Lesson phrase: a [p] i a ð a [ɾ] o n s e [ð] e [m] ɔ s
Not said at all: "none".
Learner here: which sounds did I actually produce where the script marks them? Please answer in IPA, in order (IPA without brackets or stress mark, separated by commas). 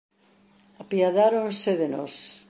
p, ɾ, ð, n